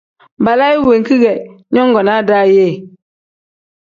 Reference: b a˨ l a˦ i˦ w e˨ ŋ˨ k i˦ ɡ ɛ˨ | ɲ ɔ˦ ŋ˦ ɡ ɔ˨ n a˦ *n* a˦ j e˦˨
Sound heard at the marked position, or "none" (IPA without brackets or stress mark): d